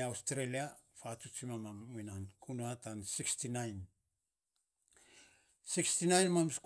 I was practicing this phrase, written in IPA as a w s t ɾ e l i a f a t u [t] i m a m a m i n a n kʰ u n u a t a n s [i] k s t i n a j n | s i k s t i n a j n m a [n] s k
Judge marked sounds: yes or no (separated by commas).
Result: no, yes, no